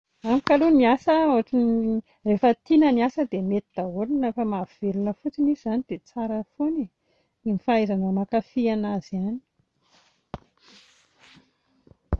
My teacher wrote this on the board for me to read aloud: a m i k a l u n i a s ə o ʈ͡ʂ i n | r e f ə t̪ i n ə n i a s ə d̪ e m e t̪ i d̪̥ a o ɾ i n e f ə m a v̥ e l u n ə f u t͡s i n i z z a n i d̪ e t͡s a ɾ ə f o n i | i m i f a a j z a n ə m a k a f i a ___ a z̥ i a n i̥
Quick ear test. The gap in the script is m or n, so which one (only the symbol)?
n